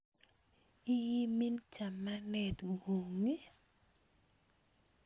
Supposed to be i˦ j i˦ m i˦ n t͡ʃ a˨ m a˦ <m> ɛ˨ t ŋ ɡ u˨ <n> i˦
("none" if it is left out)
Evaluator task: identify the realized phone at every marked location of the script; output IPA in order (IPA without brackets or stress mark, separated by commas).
n, ŋ